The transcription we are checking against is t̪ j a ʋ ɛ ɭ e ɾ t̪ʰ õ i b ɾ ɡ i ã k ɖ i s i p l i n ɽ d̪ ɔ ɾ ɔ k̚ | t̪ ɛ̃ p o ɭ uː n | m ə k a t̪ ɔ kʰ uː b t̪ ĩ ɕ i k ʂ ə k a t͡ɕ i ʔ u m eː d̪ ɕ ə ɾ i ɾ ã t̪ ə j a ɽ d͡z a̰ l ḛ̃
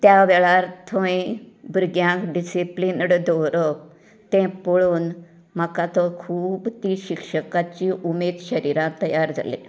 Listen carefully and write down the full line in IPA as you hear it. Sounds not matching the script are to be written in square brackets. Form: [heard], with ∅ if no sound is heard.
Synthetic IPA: t̪ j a ʋ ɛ ɭ [a] ɾ t̪ʰ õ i b ɾ ɡ [j] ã k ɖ i s i p l i n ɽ d̪ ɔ ɾ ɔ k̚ | t̪ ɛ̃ p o ɭ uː n | m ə k a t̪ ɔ kʰ uː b t̪ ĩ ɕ i k ʂ ə k a t͡ɕ i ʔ u m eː d̪ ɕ ə ɾ i ɾ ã t̪ ə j a [ɾ] d͡z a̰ l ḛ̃

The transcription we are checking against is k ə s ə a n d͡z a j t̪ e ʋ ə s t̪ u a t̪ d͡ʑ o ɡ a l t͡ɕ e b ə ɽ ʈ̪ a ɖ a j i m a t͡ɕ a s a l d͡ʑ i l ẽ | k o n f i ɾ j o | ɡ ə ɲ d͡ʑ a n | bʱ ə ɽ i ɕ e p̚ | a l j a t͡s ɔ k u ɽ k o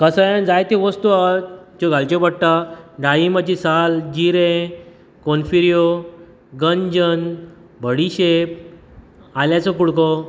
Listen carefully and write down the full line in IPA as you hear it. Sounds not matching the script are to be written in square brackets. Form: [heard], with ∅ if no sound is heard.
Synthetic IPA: k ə s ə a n d͡z a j t̪ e ʋ ə s t̪ u a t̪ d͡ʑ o ɡ a l t͡ɕ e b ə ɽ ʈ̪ a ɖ a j i m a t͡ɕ [i] s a l d͡ʑ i [ɾ] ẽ | k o n f i ɾ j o | ɡ ə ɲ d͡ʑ [ə] n | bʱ ə ɽ i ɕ e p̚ | a l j a t͡s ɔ k u ɽ k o

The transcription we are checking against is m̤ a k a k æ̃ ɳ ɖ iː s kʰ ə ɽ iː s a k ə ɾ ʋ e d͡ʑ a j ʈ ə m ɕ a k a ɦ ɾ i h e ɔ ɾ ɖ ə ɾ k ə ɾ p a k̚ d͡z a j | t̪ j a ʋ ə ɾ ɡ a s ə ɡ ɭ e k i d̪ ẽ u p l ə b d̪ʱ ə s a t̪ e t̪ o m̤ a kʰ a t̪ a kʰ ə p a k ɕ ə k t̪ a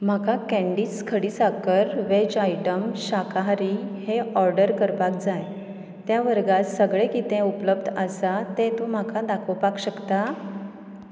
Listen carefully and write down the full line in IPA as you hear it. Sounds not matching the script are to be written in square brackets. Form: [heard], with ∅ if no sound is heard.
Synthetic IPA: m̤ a k a k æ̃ ɳ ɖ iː s kʰ ə ɽ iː s a k ə ɾ ʋ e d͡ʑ a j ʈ ə m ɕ a k a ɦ ɾ i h e ɔ ɾ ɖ ə ɾ k ə ɾ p a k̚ d͡z a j | t̪ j a ʋ ə ɾ ɡ a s ə ɡ ɭ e k i [t̪] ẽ u p l ə b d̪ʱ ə s a t̪ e t̪ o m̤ a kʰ a [d̪] a kʰ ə p a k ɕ ə k t̪ a

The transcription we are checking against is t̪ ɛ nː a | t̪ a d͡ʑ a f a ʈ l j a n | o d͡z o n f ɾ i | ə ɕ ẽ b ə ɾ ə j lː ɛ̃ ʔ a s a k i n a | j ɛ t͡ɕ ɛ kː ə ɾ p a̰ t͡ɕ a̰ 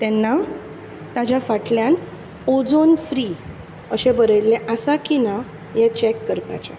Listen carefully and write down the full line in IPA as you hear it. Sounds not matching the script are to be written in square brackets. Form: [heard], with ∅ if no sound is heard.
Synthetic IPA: t̪ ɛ nː a | t̪ a d͡ʑ a f a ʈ l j a n | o d͡z o n f ɾ i | ə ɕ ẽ b ə ɾ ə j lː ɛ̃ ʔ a s a k i n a | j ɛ t͡ɕ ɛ kː ə ɾ p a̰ t͡ɕ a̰

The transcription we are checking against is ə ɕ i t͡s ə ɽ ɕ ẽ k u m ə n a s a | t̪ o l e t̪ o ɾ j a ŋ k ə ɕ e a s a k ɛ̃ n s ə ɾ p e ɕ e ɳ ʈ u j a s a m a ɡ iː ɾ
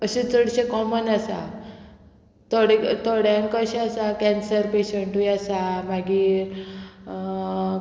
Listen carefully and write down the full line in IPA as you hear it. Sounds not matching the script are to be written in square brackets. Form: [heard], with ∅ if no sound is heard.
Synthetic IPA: ə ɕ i t͡s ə ɽ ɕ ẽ k [ɔ] m ə n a s a | t̪ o [ɽ] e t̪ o [ɽ] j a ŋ k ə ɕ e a s a k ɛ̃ n s ə ɾ p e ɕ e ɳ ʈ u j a s a m a ɡ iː ɾ

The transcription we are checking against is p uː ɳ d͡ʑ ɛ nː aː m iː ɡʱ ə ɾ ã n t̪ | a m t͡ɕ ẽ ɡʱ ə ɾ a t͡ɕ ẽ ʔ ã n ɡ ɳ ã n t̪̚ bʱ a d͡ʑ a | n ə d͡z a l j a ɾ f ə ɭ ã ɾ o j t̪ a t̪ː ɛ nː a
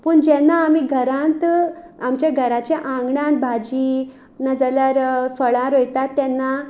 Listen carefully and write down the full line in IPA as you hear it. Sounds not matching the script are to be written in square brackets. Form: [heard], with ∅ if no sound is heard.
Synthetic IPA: p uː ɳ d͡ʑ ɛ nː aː m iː ɡʱ ə ɾ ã n t̪ | a m t͡ɕ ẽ ɡʱ ə ɾ a t͡ɕ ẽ ʔ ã [ŋ] ɡ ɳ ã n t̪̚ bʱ a d͡ʑ [i] | n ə d͡z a l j a ɾ f ə ɭ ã ɾ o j t̪ a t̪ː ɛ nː a

